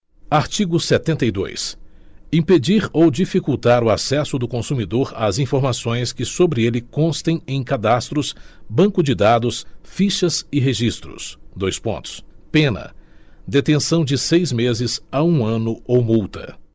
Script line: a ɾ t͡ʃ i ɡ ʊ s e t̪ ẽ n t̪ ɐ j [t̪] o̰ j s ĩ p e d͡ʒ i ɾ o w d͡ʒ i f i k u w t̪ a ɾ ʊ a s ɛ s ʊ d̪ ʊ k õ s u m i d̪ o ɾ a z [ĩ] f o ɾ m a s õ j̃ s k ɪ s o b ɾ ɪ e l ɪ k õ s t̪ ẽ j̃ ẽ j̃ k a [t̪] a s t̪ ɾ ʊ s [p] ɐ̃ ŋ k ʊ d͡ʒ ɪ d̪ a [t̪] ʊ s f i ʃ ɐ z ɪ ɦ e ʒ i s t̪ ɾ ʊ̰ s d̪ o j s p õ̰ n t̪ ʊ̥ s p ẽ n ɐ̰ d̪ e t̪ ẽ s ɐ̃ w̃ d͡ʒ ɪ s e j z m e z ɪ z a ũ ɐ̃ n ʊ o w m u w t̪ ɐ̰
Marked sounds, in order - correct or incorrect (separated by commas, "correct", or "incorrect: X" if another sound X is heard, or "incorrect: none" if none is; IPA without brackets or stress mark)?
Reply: incorrect: d̪, correct, incorrect: d̪, incorrect: b, incorrect: d̪